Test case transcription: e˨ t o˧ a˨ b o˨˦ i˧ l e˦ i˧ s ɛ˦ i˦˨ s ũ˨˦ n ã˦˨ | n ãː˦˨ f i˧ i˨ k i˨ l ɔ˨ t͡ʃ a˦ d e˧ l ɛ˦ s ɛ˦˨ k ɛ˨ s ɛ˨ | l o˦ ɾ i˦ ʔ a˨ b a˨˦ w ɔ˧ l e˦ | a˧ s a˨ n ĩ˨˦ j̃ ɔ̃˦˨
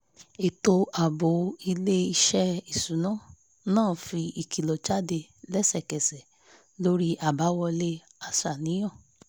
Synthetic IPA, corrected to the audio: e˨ t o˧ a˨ b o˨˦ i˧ l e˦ i˧ ʃ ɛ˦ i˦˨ s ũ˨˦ n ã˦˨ | n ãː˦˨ f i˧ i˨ k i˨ l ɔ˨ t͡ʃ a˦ d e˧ l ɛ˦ s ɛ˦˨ k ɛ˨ s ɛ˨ | l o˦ ɾ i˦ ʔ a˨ b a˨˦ w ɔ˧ l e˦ | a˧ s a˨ n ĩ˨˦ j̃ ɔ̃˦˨